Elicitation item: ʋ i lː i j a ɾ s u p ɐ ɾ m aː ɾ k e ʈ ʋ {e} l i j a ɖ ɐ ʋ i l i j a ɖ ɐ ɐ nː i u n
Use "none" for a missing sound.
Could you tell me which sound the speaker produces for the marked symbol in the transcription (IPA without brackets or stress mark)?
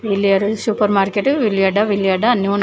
i